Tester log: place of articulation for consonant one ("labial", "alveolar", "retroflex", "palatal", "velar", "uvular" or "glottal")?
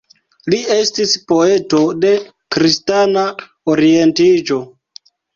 alveolar